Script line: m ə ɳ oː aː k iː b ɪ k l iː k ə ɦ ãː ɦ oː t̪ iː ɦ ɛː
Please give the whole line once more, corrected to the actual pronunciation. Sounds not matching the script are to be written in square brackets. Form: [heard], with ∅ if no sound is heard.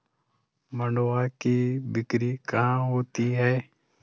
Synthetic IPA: m ə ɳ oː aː k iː b ɪ k [ɾ] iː k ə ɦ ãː ɦ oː t̪ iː ɦ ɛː